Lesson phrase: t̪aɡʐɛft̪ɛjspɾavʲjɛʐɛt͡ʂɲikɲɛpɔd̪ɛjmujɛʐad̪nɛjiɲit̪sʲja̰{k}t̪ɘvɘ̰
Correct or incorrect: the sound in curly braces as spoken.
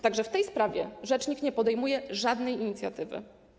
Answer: incorrect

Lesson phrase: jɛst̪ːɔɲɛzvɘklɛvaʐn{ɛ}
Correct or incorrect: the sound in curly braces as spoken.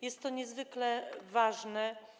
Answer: correct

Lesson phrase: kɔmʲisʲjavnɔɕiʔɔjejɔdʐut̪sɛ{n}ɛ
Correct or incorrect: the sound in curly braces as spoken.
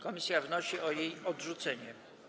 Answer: incorrect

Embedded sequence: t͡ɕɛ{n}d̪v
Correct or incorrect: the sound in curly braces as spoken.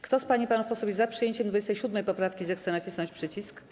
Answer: incorrect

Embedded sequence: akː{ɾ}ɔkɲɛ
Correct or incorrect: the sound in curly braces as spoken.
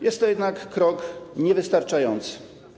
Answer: correct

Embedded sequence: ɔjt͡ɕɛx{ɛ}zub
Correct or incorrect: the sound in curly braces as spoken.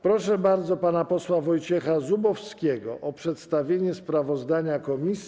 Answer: incorrect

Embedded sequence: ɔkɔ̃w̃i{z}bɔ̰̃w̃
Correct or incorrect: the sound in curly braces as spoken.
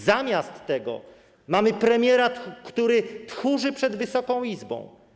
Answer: correct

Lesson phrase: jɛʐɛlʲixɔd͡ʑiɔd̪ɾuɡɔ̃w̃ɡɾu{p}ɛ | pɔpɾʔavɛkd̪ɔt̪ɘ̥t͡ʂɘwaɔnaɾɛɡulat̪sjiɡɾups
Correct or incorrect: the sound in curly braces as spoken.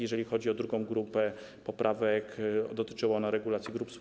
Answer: correct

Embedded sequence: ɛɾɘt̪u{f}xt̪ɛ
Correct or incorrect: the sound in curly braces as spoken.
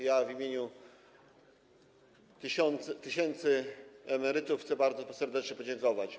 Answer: correct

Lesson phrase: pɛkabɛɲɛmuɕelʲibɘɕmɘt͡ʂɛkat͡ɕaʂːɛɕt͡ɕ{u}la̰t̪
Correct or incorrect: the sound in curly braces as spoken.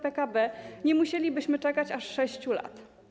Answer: correct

